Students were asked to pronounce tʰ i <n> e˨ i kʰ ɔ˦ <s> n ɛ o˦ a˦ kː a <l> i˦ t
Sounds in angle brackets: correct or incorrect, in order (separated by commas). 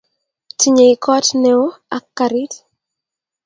incorrect, incorrect, incorrect